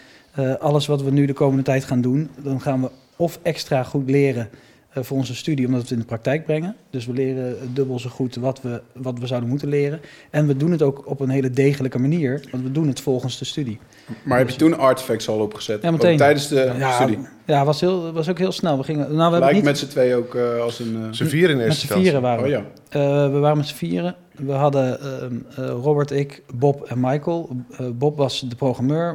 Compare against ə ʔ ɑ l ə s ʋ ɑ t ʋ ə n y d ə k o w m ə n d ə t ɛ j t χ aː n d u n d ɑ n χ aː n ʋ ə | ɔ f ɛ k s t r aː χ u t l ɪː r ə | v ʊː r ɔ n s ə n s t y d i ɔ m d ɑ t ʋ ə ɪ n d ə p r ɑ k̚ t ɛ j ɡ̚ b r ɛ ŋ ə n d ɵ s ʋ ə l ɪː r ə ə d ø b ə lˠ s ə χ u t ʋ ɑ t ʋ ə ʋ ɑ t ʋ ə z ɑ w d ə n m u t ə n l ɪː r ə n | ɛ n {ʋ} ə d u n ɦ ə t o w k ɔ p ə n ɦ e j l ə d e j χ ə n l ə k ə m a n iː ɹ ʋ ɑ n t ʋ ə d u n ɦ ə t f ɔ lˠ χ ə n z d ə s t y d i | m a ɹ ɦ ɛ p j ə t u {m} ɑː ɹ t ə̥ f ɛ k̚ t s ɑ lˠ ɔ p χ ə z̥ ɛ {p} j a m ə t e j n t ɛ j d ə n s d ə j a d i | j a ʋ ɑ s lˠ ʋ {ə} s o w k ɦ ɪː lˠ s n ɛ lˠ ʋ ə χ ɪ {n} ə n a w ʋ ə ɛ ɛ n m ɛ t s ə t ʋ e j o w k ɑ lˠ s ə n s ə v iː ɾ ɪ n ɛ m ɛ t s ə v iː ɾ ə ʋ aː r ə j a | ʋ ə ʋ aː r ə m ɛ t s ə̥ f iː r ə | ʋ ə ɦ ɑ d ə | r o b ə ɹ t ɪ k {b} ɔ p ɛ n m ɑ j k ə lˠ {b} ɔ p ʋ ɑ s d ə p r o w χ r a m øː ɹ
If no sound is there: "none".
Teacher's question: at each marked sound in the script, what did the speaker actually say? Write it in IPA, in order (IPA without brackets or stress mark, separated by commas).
ʋ, n, t, ɑ, ŋ, b, b